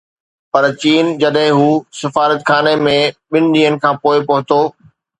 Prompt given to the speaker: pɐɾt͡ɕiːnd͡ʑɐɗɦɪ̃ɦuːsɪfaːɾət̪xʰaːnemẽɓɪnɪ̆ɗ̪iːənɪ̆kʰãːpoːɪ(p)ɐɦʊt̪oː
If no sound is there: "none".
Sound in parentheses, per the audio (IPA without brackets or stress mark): p